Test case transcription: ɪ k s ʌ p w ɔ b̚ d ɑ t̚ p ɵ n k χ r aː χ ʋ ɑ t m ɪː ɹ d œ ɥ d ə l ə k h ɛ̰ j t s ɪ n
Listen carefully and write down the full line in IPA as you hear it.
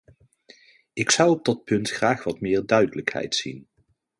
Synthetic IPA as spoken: ɪ k s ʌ w ɔ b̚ d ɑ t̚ p ɵ n t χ r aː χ ʋ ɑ t m ɪː ɹ d œ ɥ d ə l ə k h ɛ̰ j t s i n